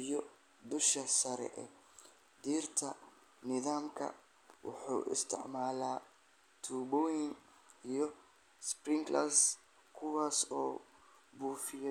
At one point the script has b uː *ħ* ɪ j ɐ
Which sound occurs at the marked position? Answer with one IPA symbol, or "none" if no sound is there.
f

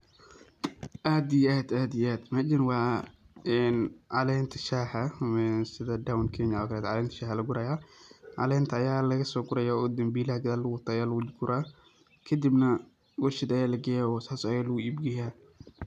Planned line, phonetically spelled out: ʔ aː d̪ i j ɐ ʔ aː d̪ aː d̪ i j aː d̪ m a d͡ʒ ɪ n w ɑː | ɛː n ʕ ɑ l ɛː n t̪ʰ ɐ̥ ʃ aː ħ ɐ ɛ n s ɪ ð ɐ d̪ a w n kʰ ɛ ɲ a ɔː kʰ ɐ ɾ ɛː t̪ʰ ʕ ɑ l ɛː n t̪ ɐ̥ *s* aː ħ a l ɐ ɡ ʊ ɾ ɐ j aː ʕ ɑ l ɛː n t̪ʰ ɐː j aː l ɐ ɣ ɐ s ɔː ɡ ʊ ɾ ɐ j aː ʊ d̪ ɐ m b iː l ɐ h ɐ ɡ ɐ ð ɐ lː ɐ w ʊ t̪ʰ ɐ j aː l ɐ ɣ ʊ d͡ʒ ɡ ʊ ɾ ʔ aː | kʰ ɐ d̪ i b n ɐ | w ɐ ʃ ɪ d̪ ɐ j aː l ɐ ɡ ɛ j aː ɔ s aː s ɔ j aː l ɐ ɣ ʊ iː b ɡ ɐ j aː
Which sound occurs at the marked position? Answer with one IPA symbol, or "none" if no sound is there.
ʃ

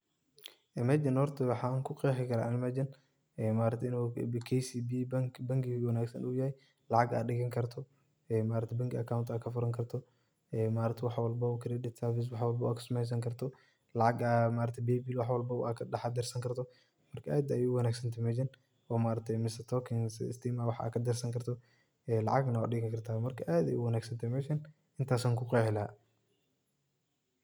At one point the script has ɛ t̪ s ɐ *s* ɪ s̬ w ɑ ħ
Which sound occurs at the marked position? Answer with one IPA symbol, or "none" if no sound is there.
f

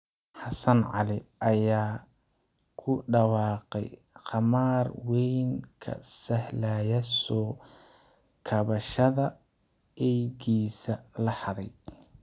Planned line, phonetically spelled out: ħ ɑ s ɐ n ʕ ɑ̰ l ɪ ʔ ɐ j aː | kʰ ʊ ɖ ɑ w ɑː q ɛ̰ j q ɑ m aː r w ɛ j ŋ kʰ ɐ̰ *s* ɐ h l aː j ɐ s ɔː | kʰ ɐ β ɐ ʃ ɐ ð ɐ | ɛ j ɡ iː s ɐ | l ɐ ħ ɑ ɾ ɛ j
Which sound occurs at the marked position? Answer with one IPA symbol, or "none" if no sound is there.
s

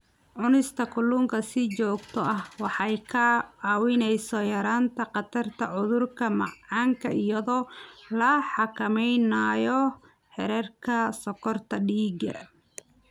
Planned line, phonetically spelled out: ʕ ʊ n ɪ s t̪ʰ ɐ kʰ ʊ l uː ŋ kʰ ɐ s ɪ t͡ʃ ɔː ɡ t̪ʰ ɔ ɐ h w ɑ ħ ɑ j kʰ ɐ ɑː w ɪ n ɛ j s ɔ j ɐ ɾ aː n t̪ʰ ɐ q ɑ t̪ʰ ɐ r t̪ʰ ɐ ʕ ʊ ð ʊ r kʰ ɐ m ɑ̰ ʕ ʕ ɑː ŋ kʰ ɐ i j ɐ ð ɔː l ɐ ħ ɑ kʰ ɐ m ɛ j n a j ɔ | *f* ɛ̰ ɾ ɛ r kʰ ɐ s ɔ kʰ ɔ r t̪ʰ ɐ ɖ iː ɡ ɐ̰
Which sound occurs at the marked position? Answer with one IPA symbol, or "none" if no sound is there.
ħ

